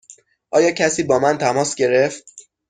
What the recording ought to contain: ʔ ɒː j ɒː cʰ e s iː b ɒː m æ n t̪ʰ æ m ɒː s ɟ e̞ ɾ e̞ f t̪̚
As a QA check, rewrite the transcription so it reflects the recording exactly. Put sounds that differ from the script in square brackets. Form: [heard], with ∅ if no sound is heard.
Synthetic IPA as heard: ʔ ɒː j ɒː cʰ [æ] s iː b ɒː m æ n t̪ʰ æ m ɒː s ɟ e̞ ɾ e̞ f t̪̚